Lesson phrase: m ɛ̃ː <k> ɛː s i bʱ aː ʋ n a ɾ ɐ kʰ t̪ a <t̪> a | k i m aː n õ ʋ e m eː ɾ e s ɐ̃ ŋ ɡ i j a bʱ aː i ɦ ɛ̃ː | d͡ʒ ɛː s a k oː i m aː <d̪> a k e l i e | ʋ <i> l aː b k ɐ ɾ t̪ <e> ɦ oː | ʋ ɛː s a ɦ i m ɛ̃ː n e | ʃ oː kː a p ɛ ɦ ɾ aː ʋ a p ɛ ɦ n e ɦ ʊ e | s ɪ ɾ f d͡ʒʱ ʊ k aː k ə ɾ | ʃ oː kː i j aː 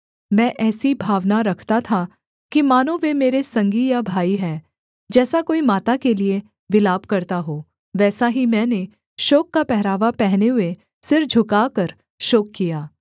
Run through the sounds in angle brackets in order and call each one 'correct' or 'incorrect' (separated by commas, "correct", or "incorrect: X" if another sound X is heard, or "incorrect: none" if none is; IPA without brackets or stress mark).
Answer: incorrect: ʔ, incorrect: t̪ʰ, incorrect: t̪, incorrect: ɪ, incorrect: a